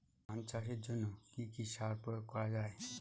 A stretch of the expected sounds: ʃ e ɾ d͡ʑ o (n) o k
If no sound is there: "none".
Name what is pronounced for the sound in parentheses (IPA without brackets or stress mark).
nː